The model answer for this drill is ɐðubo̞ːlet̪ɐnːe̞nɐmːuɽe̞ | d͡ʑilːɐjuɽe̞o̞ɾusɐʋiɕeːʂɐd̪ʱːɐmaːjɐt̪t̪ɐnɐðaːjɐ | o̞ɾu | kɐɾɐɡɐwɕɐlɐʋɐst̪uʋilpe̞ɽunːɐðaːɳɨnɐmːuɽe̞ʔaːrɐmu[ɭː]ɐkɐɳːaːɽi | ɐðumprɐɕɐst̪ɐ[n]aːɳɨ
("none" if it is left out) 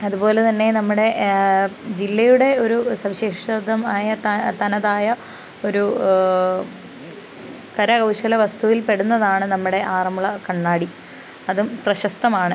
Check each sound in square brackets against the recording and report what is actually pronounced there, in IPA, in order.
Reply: ɭ, m

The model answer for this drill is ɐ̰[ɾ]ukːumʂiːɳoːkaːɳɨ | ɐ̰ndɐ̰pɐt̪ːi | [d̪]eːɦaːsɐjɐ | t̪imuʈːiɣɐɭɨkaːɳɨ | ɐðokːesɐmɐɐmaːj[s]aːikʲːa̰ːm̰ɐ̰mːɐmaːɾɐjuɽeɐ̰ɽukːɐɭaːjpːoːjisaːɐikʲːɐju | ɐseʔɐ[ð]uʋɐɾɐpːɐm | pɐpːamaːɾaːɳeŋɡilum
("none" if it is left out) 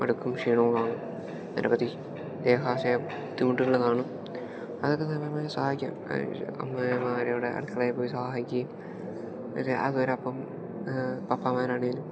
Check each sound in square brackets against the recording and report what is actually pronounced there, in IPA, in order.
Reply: ɽ, d̪, s, ð

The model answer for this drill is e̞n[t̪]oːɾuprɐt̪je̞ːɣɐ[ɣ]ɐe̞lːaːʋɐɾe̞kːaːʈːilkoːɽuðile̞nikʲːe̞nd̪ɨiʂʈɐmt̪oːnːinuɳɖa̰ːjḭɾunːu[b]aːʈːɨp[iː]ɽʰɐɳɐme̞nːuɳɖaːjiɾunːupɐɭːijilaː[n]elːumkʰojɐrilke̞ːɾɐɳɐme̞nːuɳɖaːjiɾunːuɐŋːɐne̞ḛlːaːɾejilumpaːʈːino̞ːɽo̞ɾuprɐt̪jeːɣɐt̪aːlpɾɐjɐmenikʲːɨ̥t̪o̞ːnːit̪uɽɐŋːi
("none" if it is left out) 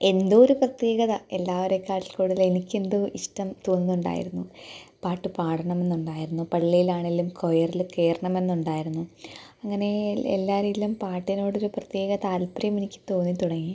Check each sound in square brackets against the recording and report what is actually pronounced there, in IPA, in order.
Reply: d̪, ð, p, aː, ɳ

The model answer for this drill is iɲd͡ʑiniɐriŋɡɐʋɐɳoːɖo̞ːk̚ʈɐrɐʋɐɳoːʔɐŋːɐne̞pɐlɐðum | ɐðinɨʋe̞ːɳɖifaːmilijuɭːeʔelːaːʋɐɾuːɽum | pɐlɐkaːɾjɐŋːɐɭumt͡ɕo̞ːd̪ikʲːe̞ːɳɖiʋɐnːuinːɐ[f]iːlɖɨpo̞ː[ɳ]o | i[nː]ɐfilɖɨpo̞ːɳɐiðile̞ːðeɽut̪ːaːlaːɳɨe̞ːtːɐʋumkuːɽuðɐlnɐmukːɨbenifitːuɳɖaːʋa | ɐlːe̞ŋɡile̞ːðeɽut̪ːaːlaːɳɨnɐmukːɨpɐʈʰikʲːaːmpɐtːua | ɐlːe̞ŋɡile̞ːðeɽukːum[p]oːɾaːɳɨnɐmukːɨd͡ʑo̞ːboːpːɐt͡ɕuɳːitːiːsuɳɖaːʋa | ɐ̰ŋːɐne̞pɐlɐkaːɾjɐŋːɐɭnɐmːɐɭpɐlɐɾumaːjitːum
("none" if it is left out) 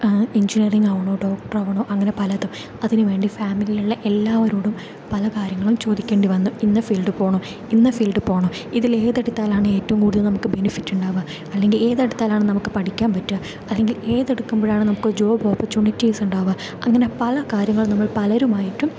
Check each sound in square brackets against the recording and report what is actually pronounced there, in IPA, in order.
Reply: f, ɳ, nː, b

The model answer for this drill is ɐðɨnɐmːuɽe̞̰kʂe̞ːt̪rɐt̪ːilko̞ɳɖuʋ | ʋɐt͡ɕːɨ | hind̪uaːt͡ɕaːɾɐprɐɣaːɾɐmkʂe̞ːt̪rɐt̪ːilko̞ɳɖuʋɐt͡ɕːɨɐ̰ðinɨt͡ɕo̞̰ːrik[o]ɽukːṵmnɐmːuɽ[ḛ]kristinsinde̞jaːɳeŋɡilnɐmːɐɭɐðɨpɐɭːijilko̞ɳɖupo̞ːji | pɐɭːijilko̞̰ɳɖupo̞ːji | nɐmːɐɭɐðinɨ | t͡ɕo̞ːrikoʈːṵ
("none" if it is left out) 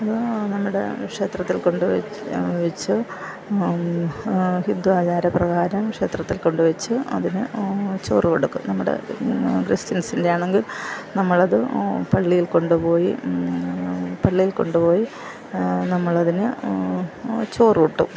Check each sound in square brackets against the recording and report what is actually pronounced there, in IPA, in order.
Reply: o, ḛ

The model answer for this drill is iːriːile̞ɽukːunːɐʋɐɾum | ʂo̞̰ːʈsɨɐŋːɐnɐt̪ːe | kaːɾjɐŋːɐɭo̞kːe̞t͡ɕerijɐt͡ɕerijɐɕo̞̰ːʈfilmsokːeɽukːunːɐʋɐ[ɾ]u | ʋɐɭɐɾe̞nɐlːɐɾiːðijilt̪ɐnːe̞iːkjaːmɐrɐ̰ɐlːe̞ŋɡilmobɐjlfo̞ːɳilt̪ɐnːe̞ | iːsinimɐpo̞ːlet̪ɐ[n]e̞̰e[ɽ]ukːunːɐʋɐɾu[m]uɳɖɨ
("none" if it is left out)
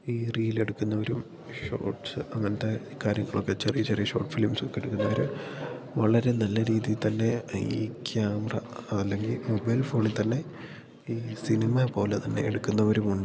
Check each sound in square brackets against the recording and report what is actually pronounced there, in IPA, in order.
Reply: ɾ, nː, ɽ, m

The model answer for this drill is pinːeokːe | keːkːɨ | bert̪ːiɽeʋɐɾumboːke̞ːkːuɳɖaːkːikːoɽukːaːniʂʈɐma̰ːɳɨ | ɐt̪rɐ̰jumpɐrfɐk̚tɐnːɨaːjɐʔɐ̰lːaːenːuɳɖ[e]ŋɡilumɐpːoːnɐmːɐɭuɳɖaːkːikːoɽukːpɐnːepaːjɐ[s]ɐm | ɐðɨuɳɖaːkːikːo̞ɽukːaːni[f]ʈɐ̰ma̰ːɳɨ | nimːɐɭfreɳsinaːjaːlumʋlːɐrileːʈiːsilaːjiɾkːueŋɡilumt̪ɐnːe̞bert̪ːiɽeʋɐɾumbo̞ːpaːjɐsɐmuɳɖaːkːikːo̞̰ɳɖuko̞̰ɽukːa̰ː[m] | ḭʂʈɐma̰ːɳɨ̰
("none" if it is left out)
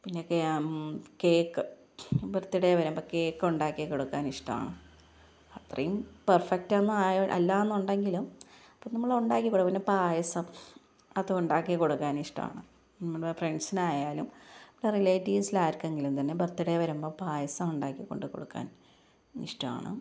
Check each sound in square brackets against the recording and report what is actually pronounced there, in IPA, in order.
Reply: e, s, ʂ, n

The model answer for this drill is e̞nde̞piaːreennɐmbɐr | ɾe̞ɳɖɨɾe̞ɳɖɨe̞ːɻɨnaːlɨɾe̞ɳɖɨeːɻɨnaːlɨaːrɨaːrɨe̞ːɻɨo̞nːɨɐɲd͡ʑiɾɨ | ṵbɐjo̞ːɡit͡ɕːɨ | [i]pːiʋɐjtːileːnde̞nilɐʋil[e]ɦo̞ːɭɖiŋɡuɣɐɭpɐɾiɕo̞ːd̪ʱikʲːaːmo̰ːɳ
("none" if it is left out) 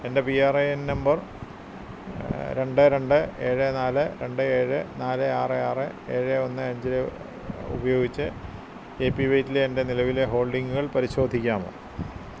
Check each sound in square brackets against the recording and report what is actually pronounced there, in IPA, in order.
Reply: e, e

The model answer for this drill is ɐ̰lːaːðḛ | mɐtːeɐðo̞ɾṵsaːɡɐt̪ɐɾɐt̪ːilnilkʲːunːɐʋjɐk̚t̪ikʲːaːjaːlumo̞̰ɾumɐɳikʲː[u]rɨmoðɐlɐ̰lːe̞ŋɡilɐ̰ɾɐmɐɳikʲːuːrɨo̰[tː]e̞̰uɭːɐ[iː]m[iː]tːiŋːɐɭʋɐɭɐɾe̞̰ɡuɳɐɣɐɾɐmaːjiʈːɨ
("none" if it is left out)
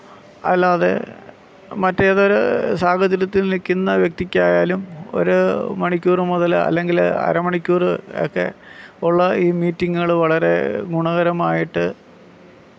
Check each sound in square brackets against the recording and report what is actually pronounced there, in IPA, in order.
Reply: uː, kː, iː, iː

